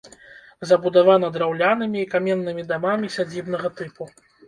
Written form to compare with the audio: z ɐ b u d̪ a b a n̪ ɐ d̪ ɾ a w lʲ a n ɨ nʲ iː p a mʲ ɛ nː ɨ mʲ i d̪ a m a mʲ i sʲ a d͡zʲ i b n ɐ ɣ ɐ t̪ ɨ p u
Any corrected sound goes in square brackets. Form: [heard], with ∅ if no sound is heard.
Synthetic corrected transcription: z ɐ b u d̪ a [v] a n̪ ɐ d̪ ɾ a w lʲ a n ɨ [mʲ] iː [k] a mʲ ɛ nː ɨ mʲ i d̪ a m a mʲ i sʲ a d͡zʲ i b n ɐ ɣ ɐ t̪ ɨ p u